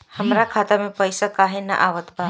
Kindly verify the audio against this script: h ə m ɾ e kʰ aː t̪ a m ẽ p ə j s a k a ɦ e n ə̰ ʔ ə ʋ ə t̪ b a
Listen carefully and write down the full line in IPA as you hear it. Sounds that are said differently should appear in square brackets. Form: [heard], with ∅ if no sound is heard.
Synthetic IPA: h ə m ɾ [a] kʰ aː t̪ a m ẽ p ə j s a k a ɦ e n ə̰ ʔ [a] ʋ ə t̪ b a

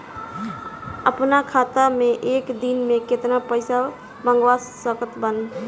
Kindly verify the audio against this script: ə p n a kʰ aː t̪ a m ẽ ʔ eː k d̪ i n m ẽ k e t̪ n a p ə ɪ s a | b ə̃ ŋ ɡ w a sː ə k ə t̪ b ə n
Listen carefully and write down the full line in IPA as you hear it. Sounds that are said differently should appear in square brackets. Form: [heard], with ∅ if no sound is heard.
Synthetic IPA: ə p n a kʰ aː t̪ a m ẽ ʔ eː k d̪ i n m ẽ k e t̪ n a p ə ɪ s a | b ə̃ ŋ ɡ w a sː ə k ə t̪ b ə n

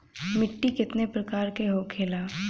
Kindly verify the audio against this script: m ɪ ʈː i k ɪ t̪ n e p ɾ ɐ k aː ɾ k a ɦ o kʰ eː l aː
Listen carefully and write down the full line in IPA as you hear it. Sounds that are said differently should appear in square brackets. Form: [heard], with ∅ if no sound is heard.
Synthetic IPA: m ɪ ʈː i k ɪ t̪ n e p ɾ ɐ k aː ɾ k [e] ɦ o kʰ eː l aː

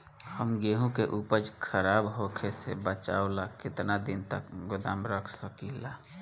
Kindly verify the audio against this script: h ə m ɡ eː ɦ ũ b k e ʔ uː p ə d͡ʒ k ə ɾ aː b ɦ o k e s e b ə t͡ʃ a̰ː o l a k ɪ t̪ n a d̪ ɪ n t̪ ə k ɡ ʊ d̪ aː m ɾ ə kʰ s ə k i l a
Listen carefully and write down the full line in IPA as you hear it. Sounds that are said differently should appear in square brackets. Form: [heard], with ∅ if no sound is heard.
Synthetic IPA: h ə m ɡ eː ɦ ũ [∅] k e ʔ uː p ə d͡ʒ [kʰ] ə ɾ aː b ɦ o [kʰ] e s e b ə t͡ʃ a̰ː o l a k ɪ t̪ n a d̪ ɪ n t̪ ə k ɡ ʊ d̪ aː m ɾ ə kʰ s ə k i l a

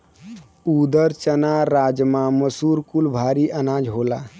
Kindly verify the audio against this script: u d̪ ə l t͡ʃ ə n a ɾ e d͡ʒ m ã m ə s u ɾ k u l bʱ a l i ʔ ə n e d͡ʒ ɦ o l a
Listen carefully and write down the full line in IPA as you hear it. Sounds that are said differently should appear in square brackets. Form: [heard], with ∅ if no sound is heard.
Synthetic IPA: u d̪ ə [ɾ] t͡ʃ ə n a ɾ [a] d͡ʒ m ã m ə s u ɾ k u l bʱ a [ɾ] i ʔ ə n [a] d͡ʒ ɦ o l a

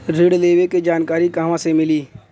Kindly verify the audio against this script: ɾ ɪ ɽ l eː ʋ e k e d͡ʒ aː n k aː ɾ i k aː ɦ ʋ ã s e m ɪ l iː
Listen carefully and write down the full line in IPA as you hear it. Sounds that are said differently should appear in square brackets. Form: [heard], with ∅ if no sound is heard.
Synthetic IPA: ɾ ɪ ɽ l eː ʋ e k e d͡ʒ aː n k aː ɾ i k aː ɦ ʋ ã s e m ɪ l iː

